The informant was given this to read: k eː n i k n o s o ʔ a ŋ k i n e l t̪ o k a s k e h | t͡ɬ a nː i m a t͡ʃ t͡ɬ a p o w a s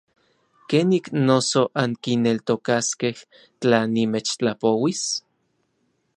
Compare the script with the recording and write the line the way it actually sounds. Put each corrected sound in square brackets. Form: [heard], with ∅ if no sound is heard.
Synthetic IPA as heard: k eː n i k n o s o ʔ a ŋ k i n e l t̪ o k a s k e h | t͡ɬ a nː i m [e] t͡ʃ t͡ɬ a p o w [i] s